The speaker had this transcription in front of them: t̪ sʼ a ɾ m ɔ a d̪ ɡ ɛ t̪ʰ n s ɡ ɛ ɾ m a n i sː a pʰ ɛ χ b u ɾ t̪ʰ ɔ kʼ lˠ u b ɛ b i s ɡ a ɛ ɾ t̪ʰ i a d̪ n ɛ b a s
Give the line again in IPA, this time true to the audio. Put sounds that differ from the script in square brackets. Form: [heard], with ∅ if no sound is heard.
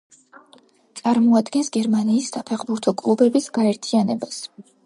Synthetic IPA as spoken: t̪ sʼ a ɾ m ɔ a d̪ ɡ ɛ [∅] n s ɡ ɛ ɾ m a n [iː] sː a pʰ ɛ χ b u ɾ t̪ʰ ɔ kʼ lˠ u b ɛ b i s ɡ a ɛ ɾ t̪ʰ i a [∅] n ɛ b a s